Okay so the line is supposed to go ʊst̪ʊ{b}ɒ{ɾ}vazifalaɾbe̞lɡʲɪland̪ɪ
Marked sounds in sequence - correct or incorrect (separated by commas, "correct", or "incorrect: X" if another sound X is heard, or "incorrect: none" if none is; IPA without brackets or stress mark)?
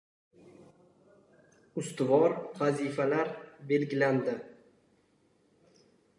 incorrect: v, correct